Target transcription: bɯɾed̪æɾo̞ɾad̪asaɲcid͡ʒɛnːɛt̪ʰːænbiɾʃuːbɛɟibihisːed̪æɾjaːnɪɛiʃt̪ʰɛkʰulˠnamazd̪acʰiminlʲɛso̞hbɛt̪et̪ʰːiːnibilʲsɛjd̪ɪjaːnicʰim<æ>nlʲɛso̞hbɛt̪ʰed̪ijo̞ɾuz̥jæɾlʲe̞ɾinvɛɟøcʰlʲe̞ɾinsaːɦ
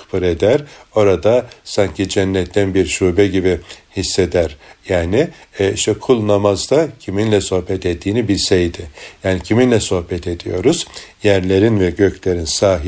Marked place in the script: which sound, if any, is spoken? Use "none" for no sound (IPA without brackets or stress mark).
i